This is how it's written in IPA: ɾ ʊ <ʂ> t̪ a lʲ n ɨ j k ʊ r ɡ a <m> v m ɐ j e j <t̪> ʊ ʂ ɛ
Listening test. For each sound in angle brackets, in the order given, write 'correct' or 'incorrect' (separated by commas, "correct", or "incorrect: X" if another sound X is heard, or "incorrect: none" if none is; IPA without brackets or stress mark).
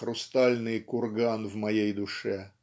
incorrect: s, incorrect: n, incorrect: d̪